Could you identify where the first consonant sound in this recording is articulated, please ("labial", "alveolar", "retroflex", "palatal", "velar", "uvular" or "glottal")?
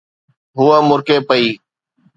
glottal